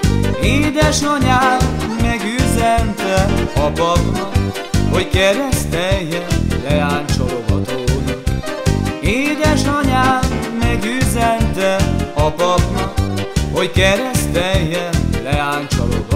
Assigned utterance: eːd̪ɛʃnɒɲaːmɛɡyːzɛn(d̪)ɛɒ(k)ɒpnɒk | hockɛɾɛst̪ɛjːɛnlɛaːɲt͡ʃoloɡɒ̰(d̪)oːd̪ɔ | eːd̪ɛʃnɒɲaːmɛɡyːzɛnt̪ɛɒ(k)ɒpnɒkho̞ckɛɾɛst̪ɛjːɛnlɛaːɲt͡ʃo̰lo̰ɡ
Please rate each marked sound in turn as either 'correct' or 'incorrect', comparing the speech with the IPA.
incorrect: t̪, incorrect: p, incorrect: t̪, incorrect: p

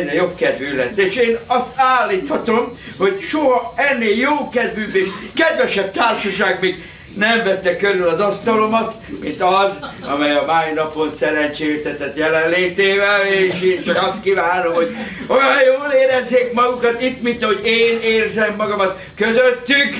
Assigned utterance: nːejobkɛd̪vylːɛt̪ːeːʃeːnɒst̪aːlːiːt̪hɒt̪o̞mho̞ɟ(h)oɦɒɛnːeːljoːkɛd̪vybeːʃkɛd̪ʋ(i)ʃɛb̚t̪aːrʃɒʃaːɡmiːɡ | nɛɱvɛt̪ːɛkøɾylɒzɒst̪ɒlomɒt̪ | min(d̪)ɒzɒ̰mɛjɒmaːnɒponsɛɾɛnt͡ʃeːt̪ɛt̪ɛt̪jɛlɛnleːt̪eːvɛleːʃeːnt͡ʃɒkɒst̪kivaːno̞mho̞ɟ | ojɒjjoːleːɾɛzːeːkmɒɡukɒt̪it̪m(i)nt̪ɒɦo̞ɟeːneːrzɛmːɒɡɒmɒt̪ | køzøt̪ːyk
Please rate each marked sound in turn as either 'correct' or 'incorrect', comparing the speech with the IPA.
incorrect: ʃ, incorrect: ɛ, incorrect: t̪, correct

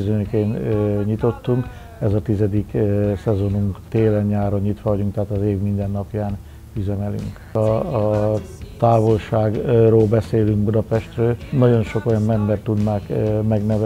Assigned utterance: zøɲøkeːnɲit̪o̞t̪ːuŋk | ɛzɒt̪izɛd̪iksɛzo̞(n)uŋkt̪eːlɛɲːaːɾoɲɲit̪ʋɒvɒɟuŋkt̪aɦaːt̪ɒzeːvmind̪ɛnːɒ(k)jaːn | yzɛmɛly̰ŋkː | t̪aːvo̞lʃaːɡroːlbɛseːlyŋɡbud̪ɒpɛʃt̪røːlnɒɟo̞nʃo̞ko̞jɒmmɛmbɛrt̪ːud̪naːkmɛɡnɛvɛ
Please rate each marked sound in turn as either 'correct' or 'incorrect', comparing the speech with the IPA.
correct, incorrect: p

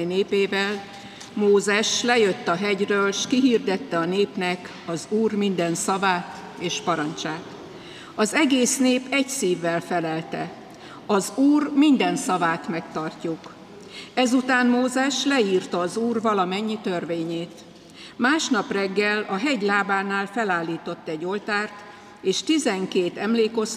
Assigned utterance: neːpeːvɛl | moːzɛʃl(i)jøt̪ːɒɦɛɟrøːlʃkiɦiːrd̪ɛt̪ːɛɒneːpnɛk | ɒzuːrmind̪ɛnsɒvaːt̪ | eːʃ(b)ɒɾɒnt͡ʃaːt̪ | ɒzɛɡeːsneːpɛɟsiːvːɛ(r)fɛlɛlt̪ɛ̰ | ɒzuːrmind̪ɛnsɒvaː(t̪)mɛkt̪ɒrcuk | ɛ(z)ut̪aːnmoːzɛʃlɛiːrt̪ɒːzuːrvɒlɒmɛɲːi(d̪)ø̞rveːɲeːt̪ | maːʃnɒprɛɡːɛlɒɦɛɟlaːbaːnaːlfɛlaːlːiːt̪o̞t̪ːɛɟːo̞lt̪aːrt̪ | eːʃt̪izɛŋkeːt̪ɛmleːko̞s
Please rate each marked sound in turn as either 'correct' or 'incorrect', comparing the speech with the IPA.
incorrect: ɛ, incorrect: p, incorrect: l, correct, correct, incorrect: t̪

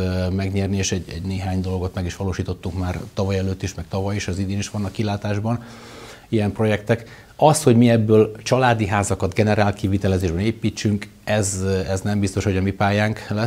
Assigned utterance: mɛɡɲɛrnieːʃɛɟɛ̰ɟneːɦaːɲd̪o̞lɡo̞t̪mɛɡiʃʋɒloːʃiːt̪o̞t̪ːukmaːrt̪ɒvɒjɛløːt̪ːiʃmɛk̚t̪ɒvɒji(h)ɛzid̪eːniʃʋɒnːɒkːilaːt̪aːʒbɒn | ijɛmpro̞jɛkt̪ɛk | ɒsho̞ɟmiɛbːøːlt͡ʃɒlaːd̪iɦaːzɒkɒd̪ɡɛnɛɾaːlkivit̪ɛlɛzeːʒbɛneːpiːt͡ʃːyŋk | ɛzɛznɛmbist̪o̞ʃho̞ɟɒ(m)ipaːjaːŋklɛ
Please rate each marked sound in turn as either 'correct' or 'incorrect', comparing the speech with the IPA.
incorrect: ʃ, correct

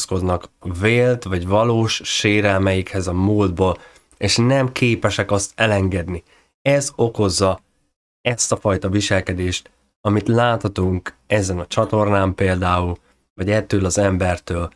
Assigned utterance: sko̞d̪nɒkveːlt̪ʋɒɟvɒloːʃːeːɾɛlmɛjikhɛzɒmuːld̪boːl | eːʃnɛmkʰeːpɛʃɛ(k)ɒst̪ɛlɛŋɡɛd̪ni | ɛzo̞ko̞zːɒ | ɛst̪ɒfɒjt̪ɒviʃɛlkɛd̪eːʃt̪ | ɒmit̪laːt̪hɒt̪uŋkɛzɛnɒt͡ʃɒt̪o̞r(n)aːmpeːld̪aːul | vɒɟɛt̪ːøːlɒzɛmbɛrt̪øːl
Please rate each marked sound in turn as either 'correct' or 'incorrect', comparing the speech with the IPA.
correct, correct

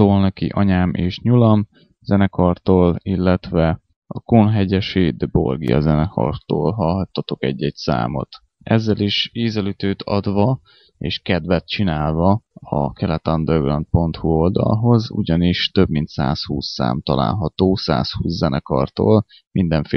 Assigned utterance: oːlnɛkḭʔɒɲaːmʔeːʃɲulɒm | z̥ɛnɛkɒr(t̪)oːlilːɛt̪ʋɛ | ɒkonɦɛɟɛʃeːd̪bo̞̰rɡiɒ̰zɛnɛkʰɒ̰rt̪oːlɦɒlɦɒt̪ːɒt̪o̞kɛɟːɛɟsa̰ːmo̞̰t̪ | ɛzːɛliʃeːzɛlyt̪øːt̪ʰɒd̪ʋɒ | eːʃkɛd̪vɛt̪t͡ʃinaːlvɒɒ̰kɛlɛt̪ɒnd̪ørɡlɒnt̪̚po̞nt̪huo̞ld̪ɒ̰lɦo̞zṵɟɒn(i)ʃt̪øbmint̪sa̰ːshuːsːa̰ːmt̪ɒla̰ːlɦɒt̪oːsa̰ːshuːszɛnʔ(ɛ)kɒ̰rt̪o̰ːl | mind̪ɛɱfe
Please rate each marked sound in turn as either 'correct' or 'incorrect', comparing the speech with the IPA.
correct, correct, correct

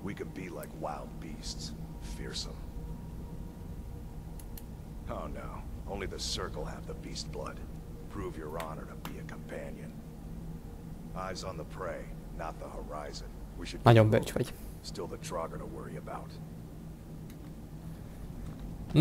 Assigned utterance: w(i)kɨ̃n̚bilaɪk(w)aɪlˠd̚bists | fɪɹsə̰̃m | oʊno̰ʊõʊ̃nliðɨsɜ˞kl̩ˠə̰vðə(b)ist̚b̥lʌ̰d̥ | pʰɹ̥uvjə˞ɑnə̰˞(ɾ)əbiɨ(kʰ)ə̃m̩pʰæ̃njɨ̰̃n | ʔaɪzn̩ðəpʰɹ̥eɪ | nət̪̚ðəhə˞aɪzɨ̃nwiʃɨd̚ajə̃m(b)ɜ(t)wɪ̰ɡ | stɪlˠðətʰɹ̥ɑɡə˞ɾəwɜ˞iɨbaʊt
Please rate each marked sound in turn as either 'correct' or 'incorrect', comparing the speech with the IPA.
correct, correct, correct, correct, correct, correct, incorrect: t͡ʃ

